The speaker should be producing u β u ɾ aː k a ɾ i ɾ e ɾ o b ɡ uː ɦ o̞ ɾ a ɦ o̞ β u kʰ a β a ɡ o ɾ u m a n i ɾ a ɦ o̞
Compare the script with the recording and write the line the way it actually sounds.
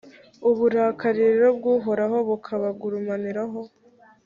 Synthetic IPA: u β u ɾ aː k a ɾ i ɾ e ɾ o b ɡ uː ɦ o̞ ɾ a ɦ o̞ β u kʰ a β a ɡ u ɾ u m a n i ɾ a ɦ o̞